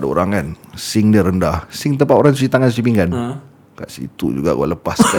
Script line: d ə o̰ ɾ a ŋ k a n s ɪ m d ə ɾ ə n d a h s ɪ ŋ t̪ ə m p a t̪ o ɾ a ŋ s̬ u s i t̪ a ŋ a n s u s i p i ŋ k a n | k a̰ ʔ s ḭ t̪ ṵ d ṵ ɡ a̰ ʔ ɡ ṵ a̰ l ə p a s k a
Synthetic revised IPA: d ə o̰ ɾ a ŋ k a n s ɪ ŋ d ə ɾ ə n d a h s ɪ ŋ t̪ ə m p a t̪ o ɾ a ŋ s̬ u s i t̪ a ŋ a n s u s i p i ŋ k a n | k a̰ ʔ s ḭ t̪ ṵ d͡ʒ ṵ ɡ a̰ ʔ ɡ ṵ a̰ l ə p a s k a